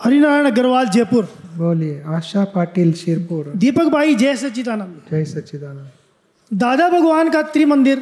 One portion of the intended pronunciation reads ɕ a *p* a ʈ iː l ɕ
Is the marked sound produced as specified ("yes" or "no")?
yes